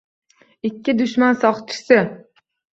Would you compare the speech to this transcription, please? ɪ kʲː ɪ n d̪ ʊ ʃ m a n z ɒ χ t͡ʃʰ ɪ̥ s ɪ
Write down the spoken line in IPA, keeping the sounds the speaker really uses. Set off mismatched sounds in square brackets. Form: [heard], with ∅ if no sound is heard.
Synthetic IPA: ɪ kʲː ɪ [∅] d̪ ʊ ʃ m a n [s] ɒ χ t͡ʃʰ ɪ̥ s ɪ